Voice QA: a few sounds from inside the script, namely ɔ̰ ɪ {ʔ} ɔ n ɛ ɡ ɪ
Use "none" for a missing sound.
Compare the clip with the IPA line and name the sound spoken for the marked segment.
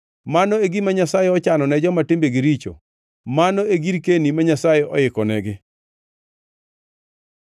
k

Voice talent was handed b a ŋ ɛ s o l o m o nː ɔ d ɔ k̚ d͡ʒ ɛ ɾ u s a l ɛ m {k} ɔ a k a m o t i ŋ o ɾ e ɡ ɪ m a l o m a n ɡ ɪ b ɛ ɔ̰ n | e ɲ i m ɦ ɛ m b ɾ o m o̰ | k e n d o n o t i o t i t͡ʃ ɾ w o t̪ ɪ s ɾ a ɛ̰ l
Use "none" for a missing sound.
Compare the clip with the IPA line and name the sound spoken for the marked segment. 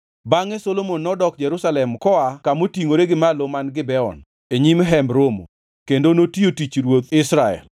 k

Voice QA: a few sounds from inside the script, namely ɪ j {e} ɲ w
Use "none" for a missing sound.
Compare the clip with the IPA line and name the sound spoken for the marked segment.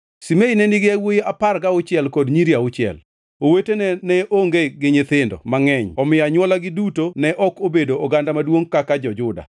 a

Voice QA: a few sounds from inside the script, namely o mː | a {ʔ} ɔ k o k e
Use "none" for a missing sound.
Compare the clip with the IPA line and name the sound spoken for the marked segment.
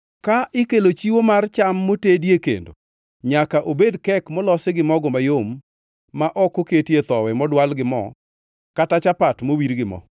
ʔ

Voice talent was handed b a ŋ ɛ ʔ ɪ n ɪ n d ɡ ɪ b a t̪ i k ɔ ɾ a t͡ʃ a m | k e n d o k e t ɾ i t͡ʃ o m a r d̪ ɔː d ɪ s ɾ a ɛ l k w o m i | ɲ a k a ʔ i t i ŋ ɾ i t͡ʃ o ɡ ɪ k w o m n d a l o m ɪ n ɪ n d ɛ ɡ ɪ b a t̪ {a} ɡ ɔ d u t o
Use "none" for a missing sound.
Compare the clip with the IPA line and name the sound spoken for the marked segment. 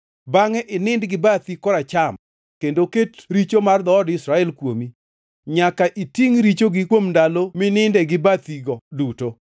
i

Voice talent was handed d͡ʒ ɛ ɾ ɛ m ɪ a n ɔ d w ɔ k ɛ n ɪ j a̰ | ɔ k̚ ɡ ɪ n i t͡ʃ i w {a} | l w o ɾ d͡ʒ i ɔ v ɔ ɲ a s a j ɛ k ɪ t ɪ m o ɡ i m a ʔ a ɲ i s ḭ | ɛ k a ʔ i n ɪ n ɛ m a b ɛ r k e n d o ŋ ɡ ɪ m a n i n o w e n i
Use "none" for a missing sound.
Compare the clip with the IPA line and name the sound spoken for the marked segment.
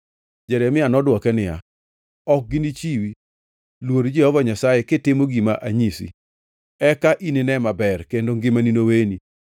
i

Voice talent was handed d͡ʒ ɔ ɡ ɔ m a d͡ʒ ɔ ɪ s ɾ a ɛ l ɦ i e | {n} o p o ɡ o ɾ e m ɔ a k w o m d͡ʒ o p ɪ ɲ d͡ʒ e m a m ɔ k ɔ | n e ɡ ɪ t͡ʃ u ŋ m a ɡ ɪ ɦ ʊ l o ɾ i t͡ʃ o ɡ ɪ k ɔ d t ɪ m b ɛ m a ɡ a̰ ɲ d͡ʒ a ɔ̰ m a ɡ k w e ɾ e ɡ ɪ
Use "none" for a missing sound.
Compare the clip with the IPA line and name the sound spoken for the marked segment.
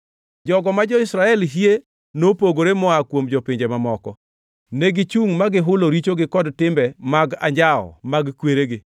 n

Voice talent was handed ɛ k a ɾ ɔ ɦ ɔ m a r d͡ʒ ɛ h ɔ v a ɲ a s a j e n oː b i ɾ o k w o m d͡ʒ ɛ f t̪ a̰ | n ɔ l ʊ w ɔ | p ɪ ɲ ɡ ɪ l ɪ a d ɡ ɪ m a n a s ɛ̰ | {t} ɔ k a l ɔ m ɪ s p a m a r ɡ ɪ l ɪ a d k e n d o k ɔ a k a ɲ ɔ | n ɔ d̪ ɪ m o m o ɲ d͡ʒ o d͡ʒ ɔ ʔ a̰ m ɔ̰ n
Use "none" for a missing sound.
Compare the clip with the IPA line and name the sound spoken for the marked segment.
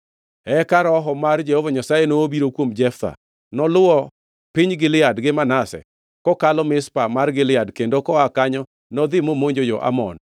k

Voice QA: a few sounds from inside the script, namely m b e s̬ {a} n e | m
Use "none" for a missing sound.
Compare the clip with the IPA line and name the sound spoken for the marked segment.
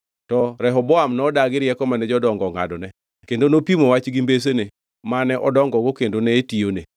e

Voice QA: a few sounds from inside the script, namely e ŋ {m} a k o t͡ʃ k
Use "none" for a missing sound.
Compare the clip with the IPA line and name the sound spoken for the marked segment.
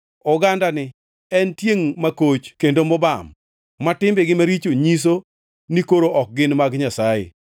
m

